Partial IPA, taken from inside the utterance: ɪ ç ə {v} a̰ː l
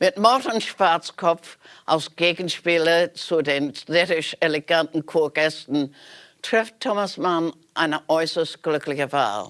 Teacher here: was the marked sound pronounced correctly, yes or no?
yes